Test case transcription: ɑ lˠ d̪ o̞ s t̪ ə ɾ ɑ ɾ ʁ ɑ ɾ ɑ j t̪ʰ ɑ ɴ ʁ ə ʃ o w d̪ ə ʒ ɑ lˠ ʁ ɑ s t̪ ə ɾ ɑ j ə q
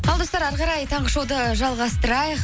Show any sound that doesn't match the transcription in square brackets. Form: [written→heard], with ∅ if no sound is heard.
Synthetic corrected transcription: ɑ lˠ d̪ o̞ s t̪ [ə→ɑ] ɾ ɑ ɾ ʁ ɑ ɾ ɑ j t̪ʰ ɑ ɴ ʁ ə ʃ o w d̪ ə ʒ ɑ lˠ ʁ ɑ s t̪ ə ɾ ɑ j ə q